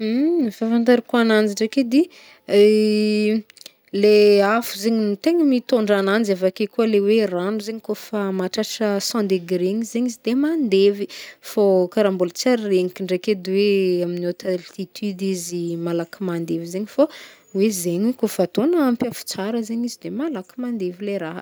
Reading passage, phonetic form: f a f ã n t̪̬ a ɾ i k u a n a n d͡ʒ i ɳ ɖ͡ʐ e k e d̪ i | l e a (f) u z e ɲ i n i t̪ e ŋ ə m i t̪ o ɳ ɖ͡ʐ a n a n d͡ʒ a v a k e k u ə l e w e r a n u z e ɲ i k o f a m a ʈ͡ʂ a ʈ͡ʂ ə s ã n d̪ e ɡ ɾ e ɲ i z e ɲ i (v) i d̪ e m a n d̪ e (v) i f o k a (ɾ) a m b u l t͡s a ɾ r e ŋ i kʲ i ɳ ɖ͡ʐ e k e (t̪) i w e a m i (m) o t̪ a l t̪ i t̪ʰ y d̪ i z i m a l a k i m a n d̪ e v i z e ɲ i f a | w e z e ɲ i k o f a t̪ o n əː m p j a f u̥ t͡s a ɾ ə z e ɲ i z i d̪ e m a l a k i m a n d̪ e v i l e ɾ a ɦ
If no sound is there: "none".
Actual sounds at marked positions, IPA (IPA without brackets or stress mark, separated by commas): f, z, v, ɾ, d̪, n